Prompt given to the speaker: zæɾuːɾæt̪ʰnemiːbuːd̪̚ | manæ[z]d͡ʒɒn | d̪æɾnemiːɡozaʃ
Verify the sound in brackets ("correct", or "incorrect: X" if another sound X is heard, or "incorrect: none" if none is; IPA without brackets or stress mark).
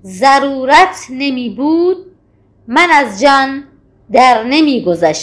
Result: correct